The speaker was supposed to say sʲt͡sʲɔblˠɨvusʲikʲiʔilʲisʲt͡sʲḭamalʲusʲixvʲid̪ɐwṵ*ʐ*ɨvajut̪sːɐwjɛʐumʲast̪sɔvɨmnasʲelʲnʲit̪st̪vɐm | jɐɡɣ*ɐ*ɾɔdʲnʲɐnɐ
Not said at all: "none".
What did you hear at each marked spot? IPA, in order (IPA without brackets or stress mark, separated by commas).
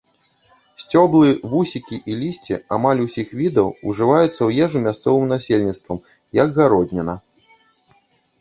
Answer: ʐ, a